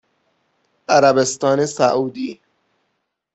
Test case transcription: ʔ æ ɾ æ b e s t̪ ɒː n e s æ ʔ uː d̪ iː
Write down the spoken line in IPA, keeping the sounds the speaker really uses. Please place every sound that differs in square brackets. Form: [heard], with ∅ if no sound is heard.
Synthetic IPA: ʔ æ ɾ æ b e s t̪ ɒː n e s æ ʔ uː d̪ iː